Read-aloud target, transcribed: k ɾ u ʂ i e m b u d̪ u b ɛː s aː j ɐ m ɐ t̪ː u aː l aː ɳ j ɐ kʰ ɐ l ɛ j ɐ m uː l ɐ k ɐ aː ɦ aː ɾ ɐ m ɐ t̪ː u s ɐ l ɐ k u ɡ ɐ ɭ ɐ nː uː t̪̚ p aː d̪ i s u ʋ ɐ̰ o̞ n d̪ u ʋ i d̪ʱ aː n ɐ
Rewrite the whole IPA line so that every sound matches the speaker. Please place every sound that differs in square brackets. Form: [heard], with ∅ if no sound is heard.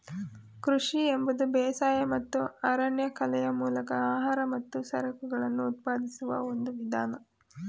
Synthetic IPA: k ɾ u ʂ i e m b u d̪ u b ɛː s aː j ɐ m ɐ t̪ː u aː [ɾ] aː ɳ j ɐ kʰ ɐ l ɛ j ɐ m uː l ɐ k ɐ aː ɦ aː ɾ ɐ m ɐ t̪ː u s ɐ [ɾ] ɐ k u ɡ ɐ ɭ ɐ nː uː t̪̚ p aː d̪ i s u ʋ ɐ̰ o̞ n d̪ u ʋ i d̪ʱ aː n ɐ